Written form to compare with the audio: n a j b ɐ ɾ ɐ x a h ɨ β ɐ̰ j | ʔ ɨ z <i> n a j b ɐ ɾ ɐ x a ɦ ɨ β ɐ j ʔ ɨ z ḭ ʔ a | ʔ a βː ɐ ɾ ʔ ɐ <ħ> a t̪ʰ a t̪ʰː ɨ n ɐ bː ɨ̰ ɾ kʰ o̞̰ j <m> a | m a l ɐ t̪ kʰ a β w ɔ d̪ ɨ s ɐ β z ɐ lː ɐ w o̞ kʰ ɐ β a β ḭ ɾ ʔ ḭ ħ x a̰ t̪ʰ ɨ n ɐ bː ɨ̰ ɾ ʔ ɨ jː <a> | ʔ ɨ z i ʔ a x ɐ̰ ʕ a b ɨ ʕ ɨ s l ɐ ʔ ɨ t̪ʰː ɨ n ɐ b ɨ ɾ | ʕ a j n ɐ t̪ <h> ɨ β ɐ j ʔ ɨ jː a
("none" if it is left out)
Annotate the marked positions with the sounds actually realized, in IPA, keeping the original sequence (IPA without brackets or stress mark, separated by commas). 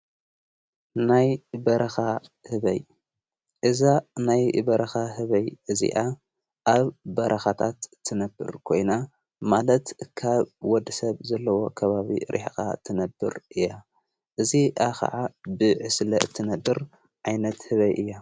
a, x, n, a, h